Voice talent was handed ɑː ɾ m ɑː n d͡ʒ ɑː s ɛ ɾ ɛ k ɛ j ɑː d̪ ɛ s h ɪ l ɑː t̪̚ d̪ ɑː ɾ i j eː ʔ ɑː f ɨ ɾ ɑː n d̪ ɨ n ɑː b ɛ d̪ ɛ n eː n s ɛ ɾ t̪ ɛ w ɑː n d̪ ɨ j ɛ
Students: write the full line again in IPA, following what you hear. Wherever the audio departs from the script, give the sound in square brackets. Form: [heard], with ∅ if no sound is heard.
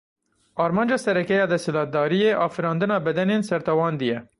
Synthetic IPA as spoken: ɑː ɾ m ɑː n d͡ʒ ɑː s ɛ ɾ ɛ k ɛ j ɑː d̪ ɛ s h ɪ l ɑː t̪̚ d̪ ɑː ɾ i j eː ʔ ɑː f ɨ ɾ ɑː n d̪ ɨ n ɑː b ɛ d̪ ɛ n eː n s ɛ ɾ t̪ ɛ w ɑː n d̪ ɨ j ɛ